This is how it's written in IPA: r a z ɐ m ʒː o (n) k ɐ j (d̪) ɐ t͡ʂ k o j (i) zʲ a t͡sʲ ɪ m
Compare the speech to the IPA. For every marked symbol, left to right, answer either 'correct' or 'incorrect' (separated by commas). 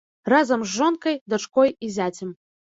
correct, correct, correct